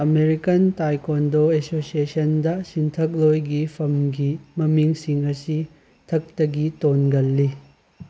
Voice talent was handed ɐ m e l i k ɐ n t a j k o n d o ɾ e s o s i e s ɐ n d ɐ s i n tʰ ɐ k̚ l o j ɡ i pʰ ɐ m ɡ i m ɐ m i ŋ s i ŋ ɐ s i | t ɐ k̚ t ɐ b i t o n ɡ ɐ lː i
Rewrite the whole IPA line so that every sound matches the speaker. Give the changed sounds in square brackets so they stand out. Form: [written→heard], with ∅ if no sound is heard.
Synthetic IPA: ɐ m e [l→ɾ] i k ɐ n t a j k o n d o [ɾ→∅] e s o s i e s ɐ n d ɐ s i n tʰ ɐ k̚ l o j ɡ i pʰ ɐ m ɡ i m ɐ m i ŋ s i ŋ ɐ s i | [t→tʰ] ɐ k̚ t ɐ [b→ɡ] i t o n ɡ ɐ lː i